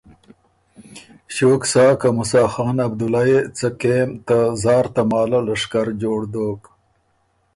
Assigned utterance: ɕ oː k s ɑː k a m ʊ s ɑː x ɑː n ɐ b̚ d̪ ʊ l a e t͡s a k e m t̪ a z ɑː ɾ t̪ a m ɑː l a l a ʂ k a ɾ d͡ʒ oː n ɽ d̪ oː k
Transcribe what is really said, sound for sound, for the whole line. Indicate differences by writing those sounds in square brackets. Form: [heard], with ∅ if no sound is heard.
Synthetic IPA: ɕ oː k s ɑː k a m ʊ s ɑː x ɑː n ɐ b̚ d̪ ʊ l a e t͡s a k e m t̪ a z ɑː ɾ t̪ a m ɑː l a l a ʂ k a ɾ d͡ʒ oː [∅] ɽ d̪ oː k